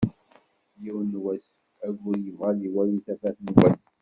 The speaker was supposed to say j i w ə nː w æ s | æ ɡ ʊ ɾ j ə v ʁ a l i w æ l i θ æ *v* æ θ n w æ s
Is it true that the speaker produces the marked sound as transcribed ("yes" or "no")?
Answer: no